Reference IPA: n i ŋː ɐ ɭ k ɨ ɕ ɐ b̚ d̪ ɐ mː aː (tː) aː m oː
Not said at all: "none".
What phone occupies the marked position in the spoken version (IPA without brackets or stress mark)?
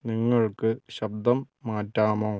tː